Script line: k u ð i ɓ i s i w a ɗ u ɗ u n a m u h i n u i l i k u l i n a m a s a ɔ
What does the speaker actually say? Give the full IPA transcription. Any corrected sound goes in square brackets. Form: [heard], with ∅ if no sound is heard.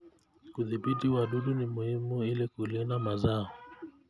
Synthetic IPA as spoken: k u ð i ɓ i [t] i w a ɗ u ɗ u n [i] m u h i [m] u i l i k u l i n a m a [z] a ɔ